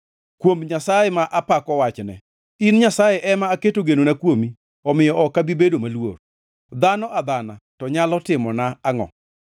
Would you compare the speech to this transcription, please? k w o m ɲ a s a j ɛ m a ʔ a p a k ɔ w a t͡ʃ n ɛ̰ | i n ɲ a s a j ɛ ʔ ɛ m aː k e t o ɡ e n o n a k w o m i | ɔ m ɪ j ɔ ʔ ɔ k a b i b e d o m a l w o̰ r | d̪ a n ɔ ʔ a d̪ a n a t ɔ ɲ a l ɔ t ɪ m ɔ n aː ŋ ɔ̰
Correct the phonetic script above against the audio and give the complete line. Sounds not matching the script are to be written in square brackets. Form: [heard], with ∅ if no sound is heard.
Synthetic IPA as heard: k w o m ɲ a s a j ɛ m a ʔ a p a k ɔ w a t͡ʃ n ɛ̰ | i n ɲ a s a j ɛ ʔ ɛ m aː k e t o ɡ e n o n a k w o m i | ɔ m ɪ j ɔ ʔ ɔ k a b i b e d o m a l w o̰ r | d̪ a n ɔ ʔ a d̪ a n a t ɔ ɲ a l ɔ t ɪ m ɔ n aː ŋ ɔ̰